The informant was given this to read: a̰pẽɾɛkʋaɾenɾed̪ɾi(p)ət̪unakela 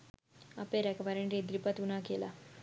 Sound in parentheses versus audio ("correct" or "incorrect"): correct